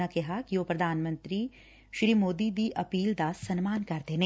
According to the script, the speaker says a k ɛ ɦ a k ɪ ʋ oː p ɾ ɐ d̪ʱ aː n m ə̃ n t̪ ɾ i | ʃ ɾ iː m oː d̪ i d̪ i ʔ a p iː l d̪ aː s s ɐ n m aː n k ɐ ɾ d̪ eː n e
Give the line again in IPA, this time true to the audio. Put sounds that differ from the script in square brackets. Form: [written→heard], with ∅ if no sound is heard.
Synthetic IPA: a k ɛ ɦ a k [ɪ→i] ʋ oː p ɾ ɐ d̪ʱ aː n m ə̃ n t̪ ɾ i | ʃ ɾ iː m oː d̪ i d̪ i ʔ [a→ɐ] p iː l d̪ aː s s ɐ n m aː n k ɐ ɾ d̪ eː n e